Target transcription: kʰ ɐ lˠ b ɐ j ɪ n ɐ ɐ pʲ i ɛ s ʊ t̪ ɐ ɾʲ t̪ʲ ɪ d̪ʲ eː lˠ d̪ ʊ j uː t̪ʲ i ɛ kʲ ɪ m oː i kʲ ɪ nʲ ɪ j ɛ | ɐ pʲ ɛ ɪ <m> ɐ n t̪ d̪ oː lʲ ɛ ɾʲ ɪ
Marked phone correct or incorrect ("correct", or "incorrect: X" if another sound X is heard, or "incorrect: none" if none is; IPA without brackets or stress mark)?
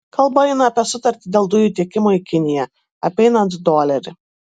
incorrect: n